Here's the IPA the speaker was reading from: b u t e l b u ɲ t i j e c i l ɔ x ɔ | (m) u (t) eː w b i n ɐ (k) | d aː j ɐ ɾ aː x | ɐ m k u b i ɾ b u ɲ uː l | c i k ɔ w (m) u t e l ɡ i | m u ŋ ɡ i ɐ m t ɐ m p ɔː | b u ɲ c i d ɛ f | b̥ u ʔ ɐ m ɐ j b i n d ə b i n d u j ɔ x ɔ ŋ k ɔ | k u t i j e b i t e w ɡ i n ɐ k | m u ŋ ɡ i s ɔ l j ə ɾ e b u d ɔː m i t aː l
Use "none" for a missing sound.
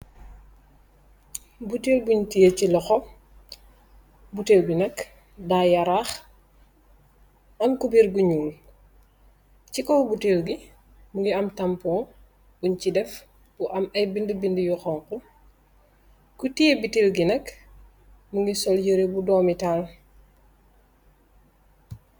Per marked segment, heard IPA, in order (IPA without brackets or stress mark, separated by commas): b, t, k, b